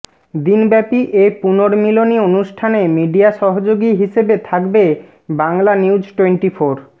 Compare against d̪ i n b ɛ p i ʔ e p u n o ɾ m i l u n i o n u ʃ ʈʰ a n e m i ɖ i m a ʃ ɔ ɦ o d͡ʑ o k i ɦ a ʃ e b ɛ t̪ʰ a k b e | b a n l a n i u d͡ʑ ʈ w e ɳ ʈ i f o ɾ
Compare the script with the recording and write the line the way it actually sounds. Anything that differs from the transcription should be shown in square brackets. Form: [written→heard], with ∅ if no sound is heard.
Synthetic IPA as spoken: d̪ i n b ɛ p i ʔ e p u n o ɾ m i l [u→o] n i o n u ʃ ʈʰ a n e m i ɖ i [m→∅] a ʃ ɔ ɦ o d͡ʑ o [k→ɡ] i ɦ [a→i] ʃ e b [ɛ→e] t̪ʰ a k b e | b a [n→ŋ] l a n i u d͡ʑ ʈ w e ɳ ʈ i f o ɾ